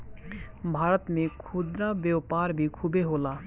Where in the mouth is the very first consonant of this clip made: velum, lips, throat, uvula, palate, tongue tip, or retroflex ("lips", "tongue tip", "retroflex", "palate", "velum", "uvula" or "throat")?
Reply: lips